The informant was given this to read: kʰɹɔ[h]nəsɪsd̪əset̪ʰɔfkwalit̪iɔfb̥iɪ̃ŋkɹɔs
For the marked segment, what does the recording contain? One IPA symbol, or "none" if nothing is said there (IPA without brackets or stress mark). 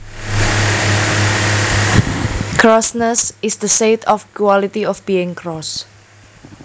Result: s